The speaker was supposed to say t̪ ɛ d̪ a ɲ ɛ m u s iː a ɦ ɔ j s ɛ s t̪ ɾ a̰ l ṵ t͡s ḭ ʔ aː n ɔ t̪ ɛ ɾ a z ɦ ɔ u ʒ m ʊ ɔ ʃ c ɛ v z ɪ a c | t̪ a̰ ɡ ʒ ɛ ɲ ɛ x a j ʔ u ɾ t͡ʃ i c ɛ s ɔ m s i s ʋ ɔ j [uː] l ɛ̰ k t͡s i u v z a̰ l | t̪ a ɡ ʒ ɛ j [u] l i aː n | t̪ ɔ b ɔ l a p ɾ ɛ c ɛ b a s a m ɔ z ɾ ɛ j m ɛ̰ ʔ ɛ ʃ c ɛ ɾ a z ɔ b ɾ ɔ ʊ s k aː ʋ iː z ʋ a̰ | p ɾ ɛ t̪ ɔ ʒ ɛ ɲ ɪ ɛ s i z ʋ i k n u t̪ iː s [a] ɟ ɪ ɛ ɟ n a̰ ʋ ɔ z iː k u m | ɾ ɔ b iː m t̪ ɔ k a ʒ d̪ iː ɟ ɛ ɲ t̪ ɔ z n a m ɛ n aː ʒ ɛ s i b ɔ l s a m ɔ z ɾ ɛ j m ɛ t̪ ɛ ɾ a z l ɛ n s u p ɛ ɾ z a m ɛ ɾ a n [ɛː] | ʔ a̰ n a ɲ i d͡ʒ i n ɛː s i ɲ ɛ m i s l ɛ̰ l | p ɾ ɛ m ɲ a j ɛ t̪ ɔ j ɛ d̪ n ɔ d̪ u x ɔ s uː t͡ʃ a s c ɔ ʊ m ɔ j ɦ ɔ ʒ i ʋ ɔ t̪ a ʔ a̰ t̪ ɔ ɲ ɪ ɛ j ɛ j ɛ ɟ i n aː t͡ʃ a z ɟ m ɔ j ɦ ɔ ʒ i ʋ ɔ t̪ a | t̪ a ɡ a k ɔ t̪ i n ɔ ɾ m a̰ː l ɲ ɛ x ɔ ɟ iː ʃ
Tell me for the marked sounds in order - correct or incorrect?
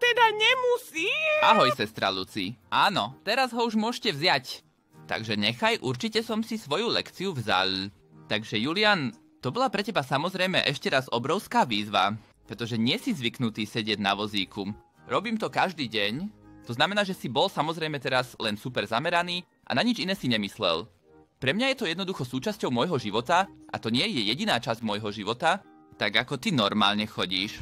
incorrect, correct, incorrect, incorrect

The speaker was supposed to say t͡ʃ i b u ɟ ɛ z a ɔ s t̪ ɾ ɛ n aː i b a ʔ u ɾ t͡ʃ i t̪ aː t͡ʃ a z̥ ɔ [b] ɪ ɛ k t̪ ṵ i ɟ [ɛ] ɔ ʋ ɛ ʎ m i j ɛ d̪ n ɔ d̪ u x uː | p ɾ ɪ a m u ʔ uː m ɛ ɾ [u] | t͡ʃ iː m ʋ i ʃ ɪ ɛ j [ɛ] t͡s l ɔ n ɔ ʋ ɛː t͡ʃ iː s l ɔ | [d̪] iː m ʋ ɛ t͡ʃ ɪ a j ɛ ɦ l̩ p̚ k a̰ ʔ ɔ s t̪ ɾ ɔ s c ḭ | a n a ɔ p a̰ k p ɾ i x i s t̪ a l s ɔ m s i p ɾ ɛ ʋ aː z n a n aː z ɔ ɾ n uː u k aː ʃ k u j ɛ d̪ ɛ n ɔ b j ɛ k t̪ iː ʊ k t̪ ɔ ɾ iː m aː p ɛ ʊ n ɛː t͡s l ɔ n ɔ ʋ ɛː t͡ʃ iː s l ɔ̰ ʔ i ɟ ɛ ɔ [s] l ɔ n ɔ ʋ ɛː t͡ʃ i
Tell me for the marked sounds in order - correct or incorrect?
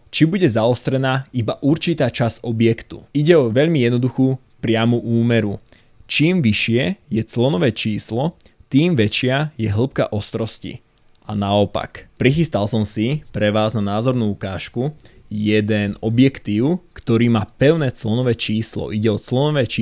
correct, correct, correct, correct, incorrect, incorrect

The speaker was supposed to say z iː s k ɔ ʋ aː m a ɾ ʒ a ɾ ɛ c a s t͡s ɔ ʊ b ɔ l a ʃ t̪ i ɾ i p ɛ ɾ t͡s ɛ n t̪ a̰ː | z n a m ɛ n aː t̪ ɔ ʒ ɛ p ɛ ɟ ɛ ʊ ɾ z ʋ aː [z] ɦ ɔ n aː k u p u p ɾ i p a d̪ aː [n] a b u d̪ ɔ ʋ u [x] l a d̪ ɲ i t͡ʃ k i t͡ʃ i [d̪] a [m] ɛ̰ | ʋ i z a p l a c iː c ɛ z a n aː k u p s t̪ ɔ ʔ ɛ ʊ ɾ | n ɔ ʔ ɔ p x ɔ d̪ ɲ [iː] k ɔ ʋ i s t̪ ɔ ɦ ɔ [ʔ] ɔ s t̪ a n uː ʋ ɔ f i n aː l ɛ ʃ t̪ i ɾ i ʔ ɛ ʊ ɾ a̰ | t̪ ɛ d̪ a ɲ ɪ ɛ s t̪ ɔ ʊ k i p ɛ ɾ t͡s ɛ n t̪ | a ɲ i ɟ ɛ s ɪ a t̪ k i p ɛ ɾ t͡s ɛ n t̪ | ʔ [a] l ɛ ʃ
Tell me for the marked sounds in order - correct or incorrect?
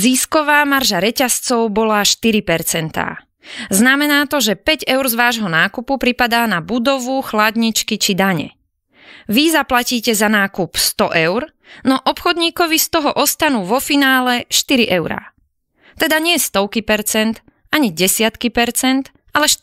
incorrect, correct, correct, correct, incorrect, correct, correct, correct

